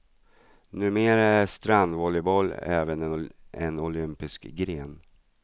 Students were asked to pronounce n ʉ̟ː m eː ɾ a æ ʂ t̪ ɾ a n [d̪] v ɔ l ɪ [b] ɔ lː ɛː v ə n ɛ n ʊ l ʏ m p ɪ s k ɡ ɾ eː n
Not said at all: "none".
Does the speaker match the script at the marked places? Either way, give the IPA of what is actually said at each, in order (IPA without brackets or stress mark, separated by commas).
d̪, b